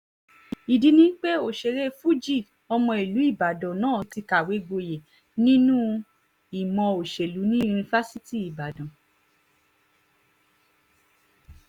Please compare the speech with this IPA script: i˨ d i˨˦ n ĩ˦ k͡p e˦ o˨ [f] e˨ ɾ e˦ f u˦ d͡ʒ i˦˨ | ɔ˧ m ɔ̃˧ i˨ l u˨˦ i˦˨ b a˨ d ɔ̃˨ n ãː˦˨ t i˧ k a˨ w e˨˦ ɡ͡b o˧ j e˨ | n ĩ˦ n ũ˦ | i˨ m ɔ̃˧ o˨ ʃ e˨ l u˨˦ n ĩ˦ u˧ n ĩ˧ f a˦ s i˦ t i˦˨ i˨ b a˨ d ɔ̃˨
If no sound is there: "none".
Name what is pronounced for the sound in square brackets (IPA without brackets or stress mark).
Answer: ʃ